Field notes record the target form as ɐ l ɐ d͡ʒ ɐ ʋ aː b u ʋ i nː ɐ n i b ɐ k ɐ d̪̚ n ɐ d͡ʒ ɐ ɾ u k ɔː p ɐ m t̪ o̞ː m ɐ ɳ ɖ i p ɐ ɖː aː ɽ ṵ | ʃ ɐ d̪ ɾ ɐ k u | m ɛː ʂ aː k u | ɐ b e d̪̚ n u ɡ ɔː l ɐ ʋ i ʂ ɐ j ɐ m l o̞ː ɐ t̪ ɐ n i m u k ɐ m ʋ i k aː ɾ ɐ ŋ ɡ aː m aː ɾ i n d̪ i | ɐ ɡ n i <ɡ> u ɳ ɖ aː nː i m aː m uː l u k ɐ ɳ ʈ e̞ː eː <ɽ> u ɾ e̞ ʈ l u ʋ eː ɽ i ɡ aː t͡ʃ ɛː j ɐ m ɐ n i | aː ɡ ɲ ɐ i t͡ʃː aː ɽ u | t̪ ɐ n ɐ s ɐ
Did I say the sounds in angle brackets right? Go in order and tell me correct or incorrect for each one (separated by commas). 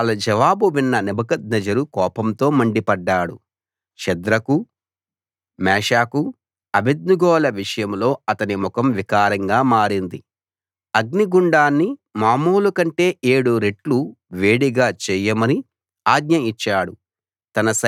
correct, correct